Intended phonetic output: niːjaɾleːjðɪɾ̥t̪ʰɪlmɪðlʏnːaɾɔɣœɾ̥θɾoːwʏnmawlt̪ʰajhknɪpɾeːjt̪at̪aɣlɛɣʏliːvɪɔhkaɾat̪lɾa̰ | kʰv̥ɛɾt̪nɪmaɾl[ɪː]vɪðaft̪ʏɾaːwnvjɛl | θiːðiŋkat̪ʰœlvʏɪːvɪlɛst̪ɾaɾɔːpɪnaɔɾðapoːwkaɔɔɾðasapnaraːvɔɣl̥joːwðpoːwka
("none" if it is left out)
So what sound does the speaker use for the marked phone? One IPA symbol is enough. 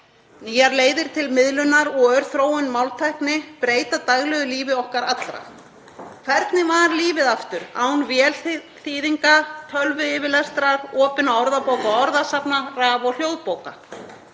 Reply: iː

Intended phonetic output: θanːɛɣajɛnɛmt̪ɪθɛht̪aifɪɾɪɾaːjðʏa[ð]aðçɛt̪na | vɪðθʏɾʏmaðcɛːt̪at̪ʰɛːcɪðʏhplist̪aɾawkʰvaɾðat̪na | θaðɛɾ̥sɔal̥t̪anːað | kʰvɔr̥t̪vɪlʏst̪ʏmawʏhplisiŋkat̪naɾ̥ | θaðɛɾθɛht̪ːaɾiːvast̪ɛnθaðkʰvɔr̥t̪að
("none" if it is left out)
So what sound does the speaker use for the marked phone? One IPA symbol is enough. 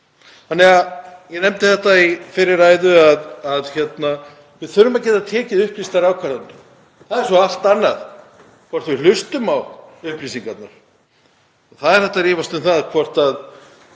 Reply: ð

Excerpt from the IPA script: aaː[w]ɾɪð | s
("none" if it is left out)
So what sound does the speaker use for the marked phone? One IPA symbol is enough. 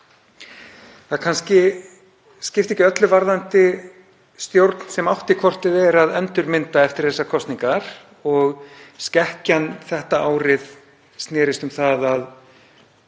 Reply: w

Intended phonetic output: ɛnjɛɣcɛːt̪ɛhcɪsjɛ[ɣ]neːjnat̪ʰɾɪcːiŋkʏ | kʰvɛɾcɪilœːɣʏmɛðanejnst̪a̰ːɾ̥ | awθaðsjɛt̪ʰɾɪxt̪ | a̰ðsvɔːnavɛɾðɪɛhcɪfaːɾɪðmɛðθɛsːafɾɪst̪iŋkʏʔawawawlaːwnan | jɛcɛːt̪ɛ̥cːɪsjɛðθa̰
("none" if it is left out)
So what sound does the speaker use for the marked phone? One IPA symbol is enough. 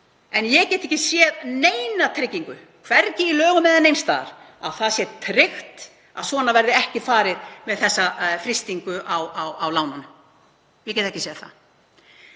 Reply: ð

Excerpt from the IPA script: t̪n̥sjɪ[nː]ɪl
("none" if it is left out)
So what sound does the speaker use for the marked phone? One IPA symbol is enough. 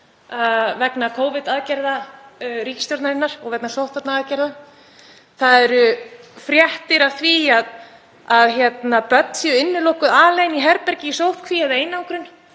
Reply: nː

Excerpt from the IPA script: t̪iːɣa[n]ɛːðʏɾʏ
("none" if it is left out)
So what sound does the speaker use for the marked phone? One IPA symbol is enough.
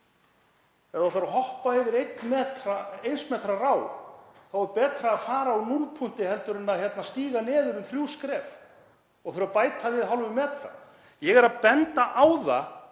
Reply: n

